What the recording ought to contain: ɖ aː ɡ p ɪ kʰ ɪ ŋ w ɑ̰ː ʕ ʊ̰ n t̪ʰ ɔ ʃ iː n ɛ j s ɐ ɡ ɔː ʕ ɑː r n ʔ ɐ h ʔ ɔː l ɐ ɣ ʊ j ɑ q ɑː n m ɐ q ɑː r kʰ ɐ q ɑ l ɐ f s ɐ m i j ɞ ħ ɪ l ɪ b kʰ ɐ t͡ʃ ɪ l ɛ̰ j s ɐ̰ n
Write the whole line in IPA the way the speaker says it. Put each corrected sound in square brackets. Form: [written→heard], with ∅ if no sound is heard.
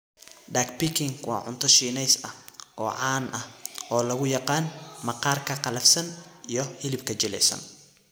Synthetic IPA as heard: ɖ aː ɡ p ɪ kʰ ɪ ŋ w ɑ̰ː ʕ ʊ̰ n t̪ʰ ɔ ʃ iː n ɛ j s ɐ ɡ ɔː ʕ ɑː [r→∅] n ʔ ɐ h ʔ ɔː l ɐ ɣ ʊ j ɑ q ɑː n m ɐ q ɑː r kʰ ɐ q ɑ l ɐ f s ɐ [m→n] i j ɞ [ħ→h] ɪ l ɪ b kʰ ɐ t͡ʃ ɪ l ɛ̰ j s ɐ̰ n